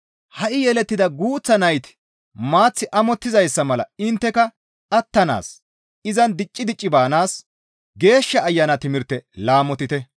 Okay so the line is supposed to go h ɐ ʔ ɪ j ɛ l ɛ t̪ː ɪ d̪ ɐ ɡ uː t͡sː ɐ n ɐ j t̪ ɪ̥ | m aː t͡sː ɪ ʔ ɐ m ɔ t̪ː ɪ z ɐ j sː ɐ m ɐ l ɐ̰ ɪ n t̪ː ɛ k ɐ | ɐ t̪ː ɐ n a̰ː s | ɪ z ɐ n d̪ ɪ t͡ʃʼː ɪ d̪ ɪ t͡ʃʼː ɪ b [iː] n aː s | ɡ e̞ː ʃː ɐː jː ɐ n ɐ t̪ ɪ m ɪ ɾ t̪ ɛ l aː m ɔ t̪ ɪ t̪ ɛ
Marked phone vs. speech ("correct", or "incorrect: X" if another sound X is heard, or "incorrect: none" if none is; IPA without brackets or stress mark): incorrect: aː